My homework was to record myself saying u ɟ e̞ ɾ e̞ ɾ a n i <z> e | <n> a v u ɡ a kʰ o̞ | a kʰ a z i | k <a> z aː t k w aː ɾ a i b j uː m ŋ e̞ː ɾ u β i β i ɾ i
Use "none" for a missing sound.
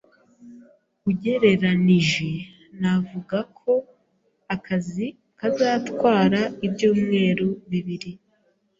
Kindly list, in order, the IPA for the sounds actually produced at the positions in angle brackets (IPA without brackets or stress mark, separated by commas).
ʒ, n, a